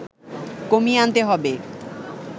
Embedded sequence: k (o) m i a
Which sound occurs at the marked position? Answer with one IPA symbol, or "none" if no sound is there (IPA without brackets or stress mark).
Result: o